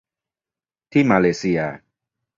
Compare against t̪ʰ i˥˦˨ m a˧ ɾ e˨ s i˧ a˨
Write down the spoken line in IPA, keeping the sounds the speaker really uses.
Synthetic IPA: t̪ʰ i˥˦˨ m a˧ l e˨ s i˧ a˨